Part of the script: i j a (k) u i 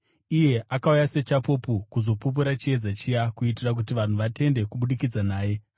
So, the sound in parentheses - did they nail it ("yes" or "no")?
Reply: yes